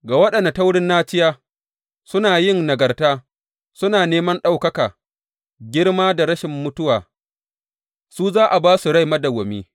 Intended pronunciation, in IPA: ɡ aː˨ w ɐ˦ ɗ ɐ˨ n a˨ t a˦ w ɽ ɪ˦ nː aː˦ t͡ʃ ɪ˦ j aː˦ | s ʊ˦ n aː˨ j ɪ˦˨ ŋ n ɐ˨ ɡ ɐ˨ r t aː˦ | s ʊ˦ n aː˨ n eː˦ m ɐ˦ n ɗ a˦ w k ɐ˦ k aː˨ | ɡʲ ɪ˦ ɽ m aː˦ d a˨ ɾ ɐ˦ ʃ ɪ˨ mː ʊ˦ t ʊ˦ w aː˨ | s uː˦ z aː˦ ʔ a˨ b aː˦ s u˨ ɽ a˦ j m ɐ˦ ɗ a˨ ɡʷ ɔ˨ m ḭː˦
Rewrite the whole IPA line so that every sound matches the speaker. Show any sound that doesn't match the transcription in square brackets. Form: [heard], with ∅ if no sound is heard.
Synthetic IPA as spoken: ɡ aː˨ w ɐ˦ ɗ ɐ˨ n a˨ t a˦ w ɽ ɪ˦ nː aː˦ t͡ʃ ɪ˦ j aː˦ | s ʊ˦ n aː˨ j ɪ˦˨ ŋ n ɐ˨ ɡ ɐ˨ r t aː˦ | s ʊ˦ n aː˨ n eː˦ m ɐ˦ n ɗ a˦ w k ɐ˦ k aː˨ | ɡʲ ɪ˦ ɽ m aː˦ d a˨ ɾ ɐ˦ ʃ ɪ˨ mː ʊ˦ t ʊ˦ w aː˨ | s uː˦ z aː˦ ʔ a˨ b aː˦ s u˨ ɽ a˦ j m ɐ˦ [d] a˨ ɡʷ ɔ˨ m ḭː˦